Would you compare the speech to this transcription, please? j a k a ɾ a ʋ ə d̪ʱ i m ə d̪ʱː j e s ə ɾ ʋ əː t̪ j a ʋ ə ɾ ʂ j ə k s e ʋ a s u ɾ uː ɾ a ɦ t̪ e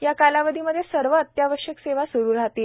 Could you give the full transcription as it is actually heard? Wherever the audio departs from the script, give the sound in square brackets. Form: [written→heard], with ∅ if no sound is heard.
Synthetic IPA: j a k a [ɾ→l] a ʋ ə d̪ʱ i m ə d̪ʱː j e s ə ɾ ʋ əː t̪ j a ʋ ə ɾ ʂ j ə k s e ʋ a s u ɾ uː ɾ a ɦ t̪ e